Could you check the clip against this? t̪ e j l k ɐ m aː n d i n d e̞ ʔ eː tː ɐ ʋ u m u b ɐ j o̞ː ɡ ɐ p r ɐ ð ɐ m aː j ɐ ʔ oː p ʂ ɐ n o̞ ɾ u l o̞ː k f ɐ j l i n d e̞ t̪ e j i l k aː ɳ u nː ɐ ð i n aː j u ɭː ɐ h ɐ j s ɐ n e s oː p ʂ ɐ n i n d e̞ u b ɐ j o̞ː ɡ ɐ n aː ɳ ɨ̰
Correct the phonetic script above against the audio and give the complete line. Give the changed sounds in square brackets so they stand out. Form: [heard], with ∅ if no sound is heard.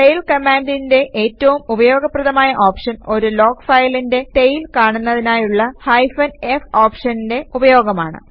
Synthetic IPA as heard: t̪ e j l k ɐ m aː n d i n d e̞ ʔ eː tː ɐ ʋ u m u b ɐ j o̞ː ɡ ɐ p r ɐ ð ɐ m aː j ɐ ʔ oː p ʂ ɐ n o̞ ɾ u l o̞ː k f ɐ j l i n d e̞ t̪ e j i l k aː ɳ u nː ɐ ð i n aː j u ɭː ɐ h ɐ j [f] ɐ n e [f] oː p ʂ ɐ n i n d e̞ u b ɐ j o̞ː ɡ ɐ [m] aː ɳ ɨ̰